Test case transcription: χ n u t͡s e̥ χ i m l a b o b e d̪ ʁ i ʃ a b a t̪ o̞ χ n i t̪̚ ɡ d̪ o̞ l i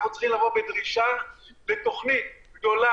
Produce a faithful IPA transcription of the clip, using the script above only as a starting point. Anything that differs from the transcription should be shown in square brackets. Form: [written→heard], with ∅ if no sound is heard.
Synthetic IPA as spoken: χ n u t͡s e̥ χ i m l a [b→v] o b e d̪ ʁ i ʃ a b [a→e] t̪ o̞ χ n i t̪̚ ɡ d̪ o̞ l [i→a]

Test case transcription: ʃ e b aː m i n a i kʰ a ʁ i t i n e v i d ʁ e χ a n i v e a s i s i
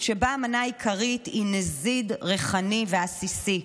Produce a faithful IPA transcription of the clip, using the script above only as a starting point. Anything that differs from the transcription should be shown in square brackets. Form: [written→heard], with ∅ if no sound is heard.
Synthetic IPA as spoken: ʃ e b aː m [i→a] n a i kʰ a ʁ i t i n e [v→z] i d ʁ e χ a n i v e a s i s i

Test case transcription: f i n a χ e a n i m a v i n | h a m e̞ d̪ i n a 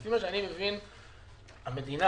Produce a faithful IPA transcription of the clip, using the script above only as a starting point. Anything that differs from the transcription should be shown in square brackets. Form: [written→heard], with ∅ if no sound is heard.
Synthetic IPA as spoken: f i [n→m] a [χ→ʃ] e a n i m [a→e] v i n | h a m e̞ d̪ i n a

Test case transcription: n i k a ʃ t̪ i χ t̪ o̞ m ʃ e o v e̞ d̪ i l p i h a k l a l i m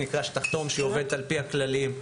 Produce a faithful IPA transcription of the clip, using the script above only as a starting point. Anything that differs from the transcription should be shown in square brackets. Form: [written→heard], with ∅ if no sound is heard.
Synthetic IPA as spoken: n i k a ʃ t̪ [i→a] χ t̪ o̞ m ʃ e o v e̞ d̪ [i→a] l p i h a k l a l i m

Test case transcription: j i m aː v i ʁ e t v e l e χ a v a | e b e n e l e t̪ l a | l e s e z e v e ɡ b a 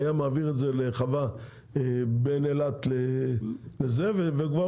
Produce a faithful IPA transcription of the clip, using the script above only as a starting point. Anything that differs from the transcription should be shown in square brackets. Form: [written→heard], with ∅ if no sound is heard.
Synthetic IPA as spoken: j [i→a] m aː v i ʁ e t [v→z] e l e χ a v a | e b e n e l [e→a] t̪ l [a→e] | l e [s→z] e [z→v] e v e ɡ [b→v] a

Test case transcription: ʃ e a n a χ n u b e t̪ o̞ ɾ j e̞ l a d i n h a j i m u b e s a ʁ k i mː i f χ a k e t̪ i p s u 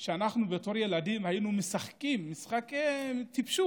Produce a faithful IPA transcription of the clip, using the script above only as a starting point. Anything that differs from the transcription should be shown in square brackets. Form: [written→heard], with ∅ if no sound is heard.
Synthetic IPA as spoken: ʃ e a n a χ n u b e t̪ o̞ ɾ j e̞ l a d i [n→m] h a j i [m→n] u [b→m] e s a [ʁ→χ] k i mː i [f→s] χ a k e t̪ i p [s→ʃ] u

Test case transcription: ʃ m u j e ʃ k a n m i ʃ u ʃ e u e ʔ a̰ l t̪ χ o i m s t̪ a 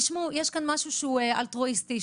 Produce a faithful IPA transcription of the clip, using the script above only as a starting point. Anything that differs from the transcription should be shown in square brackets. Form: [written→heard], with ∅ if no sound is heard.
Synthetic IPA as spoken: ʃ m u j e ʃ k a n m [i→a] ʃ u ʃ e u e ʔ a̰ l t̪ [χ→ʁ] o i [m→∅] s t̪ [a→i]

